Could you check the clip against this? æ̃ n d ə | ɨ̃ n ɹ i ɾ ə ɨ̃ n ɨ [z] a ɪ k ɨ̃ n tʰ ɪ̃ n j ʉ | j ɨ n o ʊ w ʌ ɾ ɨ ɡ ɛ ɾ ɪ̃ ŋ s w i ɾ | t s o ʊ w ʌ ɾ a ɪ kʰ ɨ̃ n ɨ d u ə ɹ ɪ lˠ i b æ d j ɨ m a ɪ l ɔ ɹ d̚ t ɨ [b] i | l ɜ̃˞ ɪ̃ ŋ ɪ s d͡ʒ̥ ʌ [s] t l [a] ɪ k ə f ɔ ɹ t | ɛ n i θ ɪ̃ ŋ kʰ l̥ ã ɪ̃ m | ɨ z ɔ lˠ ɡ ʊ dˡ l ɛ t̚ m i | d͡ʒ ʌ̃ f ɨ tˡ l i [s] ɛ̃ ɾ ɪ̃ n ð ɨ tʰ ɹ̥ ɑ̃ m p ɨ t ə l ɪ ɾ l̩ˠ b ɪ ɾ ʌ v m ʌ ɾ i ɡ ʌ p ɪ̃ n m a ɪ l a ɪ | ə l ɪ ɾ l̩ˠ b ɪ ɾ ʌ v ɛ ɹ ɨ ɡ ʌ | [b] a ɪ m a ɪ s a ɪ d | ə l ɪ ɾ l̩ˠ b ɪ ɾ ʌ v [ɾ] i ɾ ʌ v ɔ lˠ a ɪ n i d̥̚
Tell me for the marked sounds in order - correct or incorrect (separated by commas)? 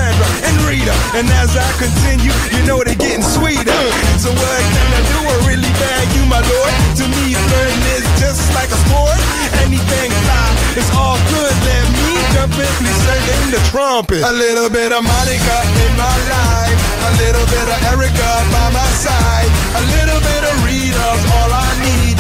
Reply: correct, incorrect, correct, correct, correct, correct, incorrect